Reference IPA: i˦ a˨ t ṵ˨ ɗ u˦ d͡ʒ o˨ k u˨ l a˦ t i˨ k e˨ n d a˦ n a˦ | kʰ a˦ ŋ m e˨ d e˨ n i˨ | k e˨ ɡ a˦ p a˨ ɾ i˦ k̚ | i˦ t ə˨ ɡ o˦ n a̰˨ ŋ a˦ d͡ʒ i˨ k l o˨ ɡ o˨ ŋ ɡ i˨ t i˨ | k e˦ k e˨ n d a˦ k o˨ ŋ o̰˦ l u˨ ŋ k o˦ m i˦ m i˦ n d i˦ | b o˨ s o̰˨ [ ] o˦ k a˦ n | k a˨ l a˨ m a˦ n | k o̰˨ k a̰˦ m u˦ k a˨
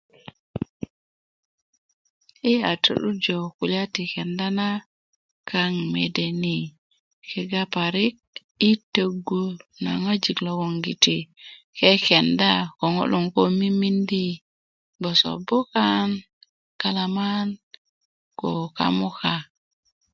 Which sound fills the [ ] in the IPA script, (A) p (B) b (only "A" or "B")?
B